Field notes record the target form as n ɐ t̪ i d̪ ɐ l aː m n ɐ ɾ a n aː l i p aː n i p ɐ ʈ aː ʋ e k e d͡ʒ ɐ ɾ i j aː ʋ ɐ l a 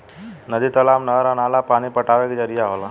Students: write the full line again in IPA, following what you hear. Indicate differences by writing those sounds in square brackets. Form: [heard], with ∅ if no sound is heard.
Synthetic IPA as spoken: n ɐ [d̪] i [t̪] ɐ l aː m n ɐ ɾ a n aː l [a] p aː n i p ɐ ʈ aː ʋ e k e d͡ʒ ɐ ɾ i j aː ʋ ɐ l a